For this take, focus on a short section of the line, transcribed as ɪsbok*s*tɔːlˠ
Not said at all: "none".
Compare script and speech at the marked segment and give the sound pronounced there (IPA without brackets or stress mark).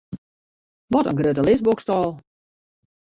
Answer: s